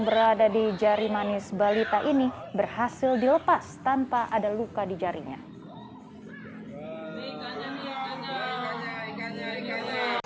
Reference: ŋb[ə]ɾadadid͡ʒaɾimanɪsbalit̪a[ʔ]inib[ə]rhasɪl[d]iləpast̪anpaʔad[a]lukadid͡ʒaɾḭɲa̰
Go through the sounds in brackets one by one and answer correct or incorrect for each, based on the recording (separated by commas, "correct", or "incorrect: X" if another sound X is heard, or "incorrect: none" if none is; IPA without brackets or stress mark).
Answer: correct, correct, correct, correct, correct